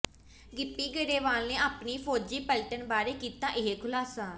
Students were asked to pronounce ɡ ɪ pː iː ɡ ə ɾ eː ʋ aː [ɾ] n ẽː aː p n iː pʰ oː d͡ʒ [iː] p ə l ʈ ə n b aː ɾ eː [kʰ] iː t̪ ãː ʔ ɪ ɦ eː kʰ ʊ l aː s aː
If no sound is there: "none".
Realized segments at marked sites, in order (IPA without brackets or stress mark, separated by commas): l, iː, k